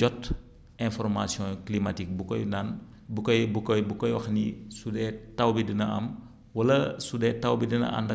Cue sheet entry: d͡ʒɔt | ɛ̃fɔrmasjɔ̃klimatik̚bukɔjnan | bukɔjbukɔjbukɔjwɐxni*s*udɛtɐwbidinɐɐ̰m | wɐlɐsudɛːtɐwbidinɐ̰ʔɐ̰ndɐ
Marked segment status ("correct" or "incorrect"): correct